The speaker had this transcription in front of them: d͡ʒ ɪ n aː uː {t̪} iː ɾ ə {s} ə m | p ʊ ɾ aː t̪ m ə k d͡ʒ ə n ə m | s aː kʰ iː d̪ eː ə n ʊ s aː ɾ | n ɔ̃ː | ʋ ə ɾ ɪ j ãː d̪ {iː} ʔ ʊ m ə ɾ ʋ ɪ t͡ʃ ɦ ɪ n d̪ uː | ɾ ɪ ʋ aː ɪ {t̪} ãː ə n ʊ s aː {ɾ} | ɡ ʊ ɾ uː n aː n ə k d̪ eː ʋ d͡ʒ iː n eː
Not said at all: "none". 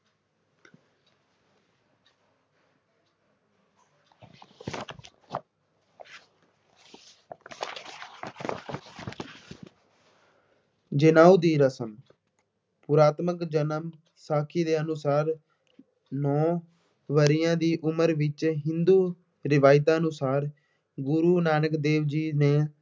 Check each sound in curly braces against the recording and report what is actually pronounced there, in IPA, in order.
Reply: d̪, s, iː, t̪, ɾ

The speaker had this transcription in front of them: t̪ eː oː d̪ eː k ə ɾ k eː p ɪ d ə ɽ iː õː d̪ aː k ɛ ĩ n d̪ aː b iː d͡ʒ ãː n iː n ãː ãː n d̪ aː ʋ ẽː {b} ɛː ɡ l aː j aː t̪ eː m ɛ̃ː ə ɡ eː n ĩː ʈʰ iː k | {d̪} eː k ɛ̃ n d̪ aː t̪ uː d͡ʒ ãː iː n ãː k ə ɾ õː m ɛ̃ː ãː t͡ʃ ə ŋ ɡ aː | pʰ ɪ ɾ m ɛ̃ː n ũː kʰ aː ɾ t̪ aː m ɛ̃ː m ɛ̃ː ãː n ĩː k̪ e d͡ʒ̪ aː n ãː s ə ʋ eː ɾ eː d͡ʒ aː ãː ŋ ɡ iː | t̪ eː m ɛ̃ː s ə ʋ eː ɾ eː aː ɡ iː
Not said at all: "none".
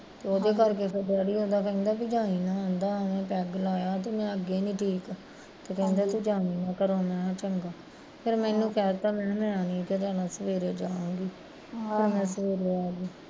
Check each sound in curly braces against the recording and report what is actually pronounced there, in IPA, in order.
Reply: p, t̪

